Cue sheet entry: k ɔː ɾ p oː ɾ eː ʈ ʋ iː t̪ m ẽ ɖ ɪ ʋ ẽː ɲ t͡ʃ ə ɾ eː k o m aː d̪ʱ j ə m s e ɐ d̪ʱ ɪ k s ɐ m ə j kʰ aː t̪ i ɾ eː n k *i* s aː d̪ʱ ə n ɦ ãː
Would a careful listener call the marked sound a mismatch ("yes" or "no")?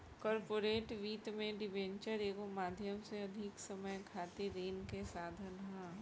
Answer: yes